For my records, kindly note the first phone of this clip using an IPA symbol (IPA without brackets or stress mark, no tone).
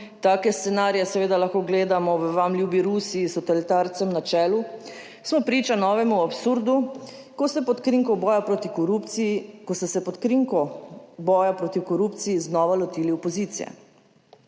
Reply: t̪